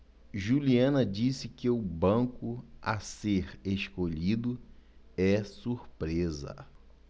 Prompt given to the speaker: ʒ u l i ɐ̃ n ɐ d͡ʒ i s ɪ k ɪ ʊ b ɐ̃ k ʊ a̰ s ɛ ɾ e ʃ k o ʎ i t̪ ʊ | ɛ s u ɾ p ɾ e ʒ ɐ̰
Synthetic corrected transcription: ʒ u l i ɐ̃ n ɐ d͡ʒ i s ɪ k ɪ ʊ b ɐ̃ k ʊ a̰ s e ɾ e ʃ k o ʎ i d̪ ʊ | ɛ s u ɾ p ɾ e z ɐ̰

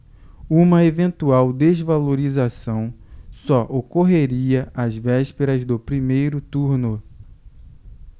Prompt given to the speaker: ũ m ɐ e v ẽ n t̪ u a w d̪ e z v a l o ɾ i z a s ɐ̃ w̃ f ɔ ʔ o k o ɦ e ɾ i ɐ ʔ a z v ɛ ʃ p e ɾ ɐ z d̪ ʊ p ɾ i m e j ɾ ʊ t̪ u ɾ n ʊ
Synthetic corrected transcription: ũ m ɐ e v ẽ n t̪ u a w d̪ e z v a l o ɾ i z a s ɐ̃ w̃ s ɔ ʔ o k o ɦ e ɾ i ɐ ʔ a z v ɛ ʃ p e ɾ ɐ z d̪ ʊ p ɾ i m e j ɾ ʊ t̪ u ɾ n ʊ

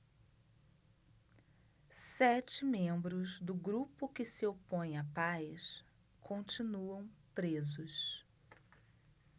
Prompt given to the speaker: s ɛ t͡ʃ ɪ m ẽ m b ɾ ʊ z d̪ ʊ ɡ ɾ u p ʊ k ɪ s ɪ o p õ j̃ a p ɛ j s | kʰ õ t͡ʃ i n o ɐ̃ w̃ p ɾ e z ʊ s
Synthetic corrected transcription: s ɛ t͡ʃ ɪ m ẽ m b ɾ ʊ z d̪ ʊ ɡ ɾ u p ʊ k ɪ s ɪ o p õ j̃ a p a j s | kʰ õ t͡ʃ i n u ɐ̃ w̃ p ɾ e z ʊ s

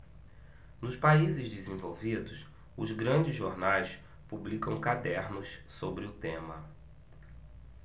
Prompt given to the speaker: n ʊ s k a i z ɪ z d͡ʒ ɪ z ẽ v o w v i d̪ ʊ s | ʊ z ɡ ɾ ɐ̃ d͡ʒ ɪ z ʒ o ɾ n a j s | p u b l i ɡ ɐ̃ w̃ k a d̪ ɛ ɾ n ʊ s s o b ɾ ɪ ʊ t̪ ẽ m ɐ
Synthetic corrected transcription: n ʊ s p a i z ɪ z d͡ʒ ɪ z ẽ v o w v i d̪ ʊ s | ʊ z ɡ ɾ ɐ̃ d͡ʒ ɪ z ʒ o ɾ n a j s | p u b l i k ɐ̃ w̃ k a d̪ ɛ ɾ n ʊ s s o b ɾ ɪ ʊ t̪ ẽ m ɐ

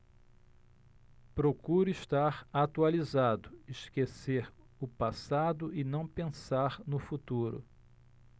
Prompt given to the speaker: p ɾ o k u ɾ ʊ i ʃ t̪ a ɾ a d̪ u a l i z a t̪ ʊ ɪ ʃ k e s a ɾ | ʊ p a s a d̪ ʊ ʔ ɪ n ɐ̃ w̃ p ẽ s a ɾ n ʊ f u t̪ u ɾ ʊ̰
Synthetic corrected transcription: p ɾ o k u ɾ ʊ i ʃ t̪ a ɾ a t̪ u a l i z a d̪ ʊ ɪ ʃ k e s e ɾ | ʊ p a s a d̪ ʊ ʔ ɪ n ɐ̃ w̃ p ẽ s a ɾ n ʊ f u t̪ u ɾ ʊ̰

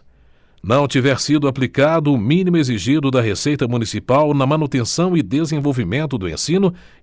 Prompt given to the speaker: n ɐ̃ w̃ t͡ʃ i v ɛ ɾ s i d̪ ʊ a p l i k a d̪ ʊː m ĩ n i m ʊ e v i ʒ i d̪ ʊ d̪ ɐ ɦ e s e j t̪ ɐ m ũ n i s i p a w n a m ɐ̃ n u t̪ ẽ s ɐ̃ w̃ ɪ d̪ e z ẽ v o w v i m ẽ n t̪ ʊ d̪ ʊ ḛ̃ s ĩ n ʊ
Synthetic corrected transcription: n ɐ̃ w̃ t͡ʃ i v ɛ ɾ s i d̪ ʊ a p l i k a d̪ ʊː m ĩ n i m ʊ e z i ʒ i d̪ ʊ d̪ ɐ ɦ e s e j t̪ ɐ m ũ n i s i p a w n ɐ m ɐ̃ n u t̪ ẽ s ɐ̃ w̃ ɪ d̪ e z ẽ v o w v i m ẽ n t̪ ʊ d̪ ʊ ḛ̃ s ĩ n ʊ

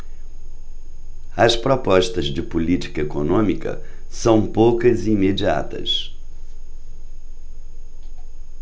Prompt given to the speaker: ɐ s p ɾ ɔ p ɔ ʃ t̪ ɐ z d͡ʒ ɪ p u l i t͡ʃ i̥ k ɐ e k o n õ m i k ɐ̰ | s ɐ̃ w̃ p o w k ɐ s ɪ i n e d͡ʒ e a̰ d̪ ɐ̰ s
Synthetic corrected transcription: ɐ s p ɾ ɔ p ɔ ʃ t̪ ɐ z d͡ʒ ɪ p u l i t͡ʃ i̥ k ɐ e k o n õ m i k ɐ̰ | s ɐ̃ w̃ p o w k ɐ z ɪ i m e d͡ʒ i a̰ t̪ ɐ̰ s

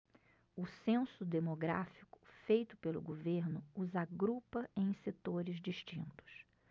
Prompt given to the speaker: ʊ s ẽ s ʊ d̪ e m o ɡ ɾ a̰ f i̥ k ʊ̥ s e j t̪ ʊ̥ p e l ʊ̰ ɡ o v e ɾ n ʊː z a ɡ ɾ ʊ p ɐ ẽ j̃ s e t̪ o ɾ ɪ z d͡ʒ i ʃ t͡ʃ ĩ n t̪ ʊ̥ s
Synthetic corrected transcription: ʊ s ẽ s ʊ d̪ e m o ɡ ɾ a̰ f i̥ k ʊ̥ f e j t̪ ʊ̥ p e l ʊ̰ ɡ o v e ɾ n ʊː z a ɡ ɾ u p ɐ ẽ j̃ s e t̪ o ɾ ɪ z d͡ʒ i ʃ t͡ʃ ĩ n t̪ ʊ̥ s

